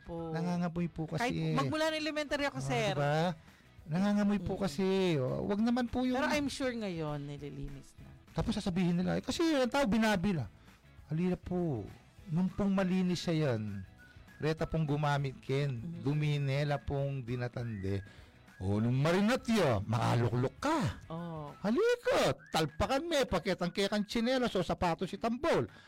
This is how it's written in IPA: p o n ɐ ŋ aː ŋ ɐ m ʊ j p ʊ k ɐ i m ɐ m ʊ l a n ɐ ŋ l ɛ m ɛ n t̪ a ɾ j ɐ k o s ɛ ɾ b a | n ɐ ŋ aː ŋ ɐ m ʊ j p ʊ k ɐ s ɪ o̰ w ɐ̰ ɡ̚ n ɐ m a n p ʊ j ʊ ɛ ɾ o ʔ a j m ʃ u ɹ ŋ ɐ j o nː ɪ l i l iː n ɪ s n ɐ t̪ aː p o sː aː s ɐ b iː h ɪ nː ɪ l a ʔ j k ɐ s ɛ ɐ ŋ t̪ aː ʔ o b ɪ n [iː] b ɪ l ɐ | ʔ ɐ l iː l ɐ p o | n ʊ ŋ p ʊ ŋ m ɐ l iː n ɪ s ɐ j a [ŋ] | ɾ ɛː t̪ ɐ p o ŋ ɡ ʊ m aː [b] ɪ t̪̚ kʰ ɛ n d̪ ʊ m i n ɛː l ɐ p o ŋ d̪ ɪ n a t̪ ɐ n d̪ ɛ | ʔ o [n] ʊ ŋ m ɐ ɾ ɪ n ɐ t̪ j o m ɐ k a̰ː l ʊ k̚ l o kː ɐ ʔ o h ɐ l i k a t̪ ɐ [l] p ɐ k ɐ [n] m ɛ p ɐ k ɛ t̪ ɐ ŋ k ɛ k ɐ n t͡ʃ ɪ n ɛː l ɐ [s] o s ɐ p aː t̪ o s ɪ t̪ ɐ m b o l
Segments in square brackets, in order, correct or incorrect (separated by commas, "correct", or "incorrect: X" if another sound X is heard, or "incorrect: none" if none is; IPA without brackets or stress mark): incorrect: aː, incorrect: n, incorrect: m, correct, correct, correct, correct